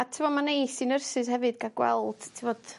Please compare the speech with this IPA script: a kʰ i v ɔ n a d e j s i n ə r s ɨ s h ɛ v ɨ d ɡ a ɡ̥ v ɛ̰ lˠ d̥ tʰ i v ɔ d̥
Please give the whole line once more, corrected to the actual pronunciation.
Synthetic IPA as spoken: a tʰ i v ɔ m a n e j s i n ə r s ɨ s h ɛ v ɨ d ɡ a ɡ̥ w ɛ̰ lˠ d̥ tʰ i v ɔ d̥